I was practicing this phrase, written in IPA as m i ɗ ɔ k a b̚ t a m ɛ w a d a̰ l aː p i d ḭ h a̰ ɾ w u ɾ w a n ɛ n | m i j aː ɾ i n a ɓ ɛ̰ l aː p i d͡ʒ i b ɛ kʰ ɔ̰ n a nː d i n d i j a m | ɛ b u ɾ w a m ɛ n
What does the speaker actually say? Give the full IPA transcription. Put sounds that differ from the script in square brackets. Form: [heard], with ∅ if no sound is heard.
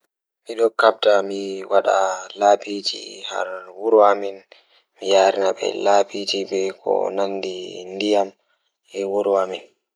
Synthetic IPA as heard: m i ɗ ɔ k a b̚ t a m [i] w a [ɗ] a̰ l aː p i [d͡ʒ] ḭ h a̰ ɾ w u ɾ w a [m] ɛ n | m i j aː ɾ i n a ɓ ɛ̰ l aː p i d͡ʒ i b ɛ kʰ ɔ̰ n a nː d i n d i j a m | ɛ [w] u ɾ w a m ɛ n